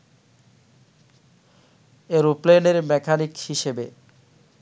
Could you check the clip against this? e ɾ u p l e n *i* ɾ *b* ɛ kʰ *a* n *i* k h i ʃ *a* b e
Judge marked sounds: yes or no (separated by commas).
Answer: no, no, yes, yes, no